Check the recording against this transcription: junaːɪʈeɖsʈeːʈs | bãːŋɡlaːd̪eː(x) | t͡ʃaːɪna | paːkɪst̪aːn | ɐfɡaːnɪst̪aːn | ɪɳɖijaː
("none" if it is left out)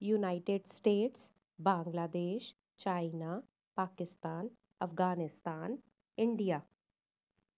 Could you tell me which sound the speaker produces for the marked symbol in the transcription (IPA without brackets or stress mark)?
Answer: ʃ